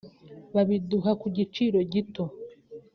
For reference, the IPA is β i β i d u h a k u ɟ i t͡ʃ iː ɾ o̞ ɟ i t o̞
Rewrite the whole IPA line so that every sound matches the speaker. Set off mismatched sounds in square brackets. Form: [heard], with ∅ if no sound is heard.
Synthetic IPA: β [a] β i d u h a k u ɟ i t͡ʃ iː ɾ o̞ ɟ i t o̞